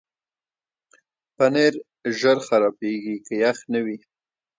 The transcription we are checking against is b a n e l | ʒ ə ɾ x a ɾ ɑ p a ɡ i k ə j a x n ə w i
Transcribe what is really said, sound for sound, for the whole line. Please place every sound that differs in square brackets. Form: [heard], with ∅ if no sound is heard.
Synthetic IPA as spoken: [p] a n e [ɾ] | ʒ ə ɾ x a ɾ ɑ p [e] ɡ i k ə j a x n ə w i

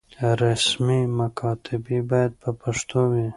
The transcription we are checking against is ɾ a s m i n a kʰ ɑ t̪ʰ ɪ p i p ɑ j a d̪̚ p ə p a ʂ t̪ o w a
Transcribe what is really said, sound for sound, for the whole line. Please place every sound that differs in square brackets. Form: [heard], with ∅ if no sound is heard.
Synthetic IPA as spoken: ɾ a s m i [m] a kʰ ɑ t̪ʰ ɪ [b] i [b] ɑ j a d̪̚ p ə p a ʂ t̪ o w [i]

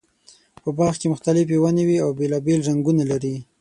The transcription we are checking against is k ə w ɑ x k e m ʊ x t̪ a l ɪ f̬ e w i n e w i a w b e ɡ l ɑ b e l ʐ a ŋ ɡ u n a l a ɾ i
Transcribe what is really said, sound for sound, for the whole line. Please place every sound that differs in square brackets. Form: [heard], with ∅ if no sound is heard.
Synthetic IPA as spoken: [p] ə [b] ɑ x k e m ʊ x t̪ a l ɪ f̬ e w [a] n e w i a w b e [∅] l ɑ b e l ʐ a ŋ ɡ u n a l a ɾ i

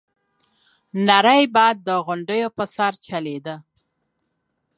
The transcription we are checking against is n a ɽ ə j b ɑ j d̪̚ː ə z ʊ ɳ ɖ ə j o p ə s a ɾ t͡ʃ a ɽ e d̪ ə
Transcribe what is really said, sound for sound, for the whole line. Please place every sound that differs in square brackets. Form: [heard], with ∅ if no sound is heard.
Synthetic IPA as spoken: n a [ɾ] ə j b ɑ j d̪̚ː ə [ɣ] ʊ ɳ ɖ ə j o p ə s a ɾ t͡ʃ a [l] e d̪ ə

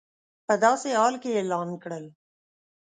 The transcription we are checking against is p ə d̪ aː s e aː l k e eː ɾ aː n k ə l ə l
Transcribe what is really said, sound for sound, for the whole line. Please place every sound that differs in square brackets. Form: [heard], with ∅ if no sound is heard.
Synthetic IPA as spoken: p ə d̪ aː s e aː l k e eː [l] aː n k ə [ɽ] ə l

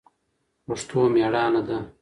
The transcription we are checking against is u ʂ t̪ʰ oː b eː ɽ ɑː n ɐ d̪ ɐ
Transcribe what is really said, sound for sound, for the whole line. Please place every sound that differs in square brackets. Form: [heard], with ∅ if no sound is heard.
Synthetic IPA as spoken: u ʂ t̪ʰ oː [m] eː ɽ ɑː n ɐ d̪ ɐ

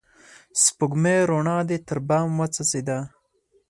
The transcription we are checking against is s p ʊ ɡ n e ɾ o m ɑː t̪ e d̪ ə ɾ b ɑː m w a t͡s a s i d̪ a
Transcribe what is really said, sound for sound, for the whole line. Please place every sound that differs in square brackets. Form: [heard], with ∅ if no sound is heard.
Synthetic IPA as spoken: s p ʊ ɡ [m] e ɾ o [ɳ] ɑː [d̪] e [t̪] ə ɾ b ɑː m w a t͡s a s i d̪ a

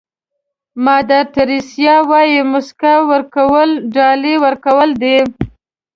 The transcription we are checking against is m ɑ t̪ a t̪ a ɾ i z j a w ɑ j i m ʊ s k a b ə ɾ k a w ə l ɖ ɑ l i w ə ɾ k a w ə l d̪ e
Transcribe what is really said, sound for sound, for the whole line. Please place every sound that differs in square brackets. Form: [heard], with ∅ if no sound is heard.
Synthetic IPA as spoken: m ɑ [d̪] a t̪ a ɾ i [s] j [ɑ] w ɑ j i m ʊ s k a [w] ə ɾ k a w ə l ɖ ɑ l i w ə ɾ k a w ə l d̪ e

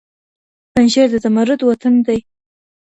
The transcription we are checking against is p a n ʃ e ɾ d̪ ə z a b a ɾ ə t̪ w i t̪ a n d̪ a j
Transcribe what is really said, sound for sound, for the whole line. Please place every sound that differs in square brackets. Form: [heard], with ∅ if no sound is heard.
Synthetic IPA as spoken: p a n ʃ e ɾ d̪ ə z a [m] a ɾ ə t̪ w [a] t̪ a n d̪ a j

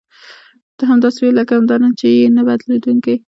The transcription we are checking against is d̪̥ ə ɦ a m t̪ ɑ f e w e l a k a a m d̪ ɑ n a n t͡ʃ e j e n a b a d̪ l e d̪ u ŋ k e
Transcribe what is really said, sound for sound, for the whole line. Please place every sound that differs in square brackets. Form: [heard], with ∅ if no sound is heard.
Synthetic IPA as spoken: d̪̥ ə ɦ a m [d̪] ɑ [s] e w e l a k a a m d̪ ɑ n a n t͡ʃ e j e n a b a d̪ l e d̪ u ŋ k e

